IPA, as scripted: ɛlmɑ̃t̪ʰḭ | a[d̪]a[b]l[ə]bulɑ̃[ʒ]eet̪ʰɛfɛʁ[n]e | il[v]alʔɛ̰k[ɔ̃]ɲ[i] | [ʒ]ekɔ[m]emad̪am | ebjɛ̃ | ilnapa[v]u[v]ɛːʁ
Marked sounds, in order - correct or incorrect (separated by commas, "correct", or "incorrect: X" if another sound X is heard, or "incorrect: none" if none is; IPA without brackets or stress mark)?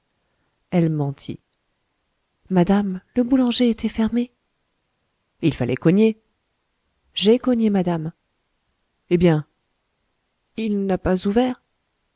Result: correct, incorrect: m, correct, correct, incorrect: m, incorrect: f, incorrect: ɔ, incorrect: e, correct, incorrect: ɲ, incorrect: z, correct